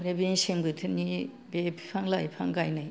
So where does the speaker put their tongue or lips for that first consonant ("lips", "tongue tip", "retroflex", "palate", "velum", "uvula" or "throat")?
tongue tip